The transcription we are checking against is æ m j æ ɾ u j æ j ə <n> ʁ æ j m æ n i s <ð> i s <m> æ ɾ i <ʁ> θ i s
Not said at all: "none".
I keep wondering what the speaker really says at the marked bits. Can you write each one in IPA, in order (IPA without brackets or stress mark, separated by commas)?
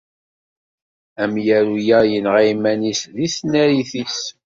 n, ð, n, none